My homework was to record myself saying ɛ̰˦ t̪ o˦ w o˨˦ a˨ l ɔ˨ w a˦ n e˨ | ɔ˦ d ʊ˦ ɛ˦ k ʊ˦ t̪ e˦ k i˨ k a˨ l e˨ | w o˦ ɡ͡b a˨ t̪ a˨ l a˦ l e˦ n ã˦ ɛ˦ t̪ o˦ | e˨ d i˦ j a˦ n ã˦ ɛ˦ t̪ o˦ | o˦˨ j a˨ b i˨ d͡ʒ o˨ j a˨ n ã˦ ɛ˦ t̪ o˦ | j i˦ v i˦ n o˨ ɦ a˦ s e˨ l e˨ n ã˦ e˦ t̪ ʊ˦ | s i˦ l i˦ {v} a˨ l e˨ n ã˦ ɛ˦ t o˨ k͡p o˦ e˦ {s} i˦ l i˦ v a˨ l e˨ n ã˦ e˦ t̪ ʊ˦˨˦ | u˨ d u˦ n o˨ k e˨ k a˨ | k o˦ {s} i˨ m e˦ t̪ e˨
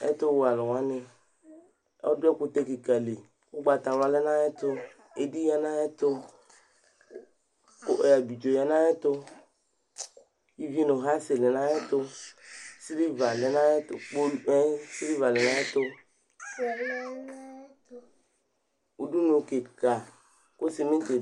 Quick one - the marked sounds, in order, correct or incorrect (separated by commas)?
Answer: correct, correct, correct